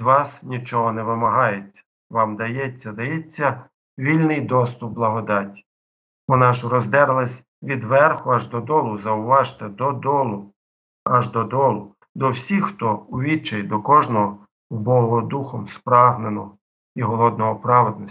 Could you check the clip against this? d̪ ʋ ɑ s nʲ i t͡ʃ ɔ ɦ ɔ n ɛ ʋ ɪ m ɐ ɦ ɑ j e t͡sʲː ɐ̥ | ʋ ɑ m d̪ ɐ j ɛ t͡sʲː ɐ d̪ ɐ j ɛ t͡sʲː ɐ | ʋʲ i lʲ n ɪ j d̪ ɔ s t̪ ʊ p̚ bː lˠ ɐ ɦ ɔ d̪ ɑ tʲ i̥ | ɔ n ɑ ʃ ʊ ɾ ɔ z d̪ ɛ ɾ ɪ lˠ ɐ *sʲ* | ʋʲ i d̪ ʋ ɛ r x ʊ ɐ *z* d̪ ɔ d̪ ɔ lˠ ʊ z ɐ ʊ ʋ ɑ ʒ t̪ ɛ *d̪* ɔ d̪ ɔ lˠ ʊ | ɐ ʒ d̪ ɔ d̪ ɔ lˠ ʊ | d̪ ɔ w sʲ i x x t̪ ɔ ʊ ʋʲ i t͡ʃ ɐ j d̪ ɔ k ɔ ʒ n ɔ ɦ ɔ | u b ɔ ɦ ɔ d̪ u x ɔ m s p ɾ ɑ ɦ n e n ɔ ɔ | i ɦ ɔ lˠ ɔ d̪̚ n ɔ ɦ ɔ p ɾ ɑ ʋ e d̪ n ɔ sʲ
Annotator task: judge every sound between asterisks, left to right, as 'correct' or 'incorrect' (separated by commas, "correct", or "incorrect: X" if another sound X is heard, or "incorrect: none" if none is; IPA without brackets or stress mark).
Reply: correct, incorrect: ʒ, correct